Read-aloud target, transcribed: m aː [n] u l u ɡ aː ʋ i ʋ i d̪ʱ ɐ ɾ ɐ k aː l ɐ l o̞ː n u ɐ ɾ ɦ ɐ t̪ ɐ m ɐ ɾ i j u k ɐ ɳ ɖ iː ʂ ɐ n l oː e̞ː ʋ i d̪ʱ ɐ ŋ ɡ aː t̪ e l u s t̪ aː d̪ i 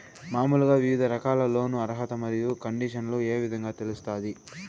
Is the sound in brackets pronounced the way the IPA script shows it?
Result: no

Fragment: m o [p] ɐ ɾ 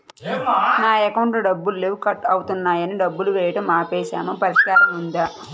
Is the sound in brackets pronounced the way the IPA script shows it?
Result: yes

